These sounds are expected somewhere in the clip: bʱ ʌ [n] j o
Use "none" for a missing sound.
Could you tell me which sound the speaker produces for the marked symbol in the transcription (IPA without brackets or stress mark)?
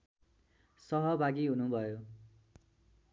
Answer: none